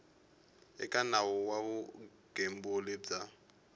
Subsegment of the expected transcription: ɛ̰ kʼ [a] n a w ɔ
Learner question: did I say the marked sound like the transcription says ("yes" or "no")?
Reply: yes